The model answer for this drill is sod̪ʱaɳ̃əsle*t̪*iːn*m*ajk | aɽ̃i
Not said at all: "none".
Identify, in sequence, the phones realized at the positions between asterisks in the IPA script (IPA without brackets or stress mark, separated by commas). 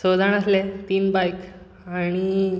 t̪, b